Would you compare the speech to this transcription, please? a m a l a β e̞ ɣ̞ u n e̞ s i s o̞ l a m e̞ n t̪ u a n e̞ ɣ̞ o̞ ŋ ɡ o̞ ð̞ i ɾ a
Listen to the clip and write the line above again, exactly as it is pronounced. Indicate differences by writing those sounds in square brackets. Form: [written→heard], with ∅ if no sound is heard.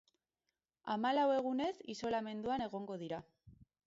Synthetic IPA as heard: a m a l a [β→w] e̞ ɣ̞ u n e̞ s i s o̞ l a m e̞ n [t̪→d̪] u a n e̞ ɣ̞ o̞ ŋ ɡ o̞ ð̞ i ɾ a